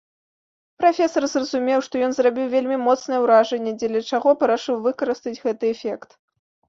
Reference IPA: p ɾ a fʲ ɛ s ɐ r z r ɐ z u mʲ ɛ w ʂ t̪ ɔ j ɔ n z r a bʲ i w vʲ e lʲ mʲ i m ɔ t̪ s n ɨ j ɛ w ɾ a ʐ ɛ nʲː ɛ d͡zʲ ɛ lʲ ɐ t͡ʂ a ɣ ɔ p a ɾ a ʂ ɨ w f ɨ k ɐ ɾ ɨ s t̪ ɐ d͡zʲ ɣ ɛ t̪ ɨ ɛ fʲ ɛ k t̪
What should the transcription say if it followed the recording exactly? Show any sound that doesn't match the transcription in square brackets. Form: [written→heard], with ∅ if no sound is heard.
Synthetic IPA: p ɾ a fʲ ɛ s ɐ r z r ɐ z u mʲ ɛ w ʂ t̪ ɔ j ɔ n z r a bʲ i w vʲ e lʲ mʲ i m ɔ t̪ s n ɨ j ɛ w ɾ a ʐ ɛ nʲː ɛ d͡zʲ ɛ lʲ ɐ t͡ʂ a ɣ ɔ p [a→ɐ] ɾ a ʂ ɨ w [f→v] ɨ k ɐ ɾ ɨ s t̪ ɐ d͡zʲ ɣ ɛ t̪ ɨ ɛ fʲ ɛ k t̪